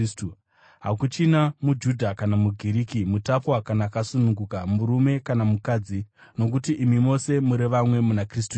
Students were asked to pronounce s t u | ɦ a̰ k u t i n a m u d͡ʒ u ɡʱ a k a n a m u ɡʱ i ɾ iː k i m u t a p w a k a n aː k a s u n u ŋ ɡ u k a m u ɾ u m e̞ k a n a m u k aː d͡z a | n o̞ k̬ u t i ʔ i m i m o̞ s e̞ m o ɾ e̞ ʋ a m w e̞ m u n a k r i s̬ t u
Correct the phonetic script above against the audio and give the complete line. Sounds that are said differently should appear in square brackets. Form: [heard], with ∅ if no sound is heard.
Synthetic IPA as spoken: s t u | ɦ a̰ k u [t͡ʃ] i n a m u d͡ʒ u [dʱ] a k a n a m u ɡʱ i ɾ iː k i m u t a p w a k a n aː k a s u n u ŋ ɡ u k a m u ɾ u m e̞ k a n a m u k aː d͡z [i] | n o̞ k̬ u t i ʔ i m i m o̞ s e̞ m [u] ɾ e̞ ʋ a m w e̞ m u n a k r i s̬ t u